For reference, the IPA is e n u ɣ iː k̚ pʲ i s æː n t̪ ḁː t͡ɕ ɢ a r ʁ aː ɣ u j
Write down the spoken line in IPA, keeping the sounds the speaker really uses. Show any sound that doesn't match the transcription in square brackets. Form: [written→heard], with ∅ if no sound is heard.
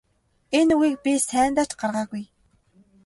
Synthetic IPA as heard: e n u ɣ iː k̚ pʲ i s æː n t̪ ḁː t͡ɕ ɢ a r ʁ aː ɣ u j